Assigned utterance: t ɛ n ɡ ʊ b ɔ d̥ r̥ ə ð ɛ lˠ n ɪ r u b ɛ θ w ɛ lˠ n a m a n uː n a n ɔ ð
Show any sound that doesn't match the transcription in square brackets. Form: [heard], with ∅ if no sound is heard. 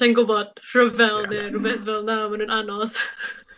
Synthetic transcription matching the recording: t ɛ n ɡ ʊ b ɔ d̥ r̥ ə [v] ɛ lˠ n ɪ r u b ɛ θ [v] ɛ lˠ n a m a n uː n a n ɔ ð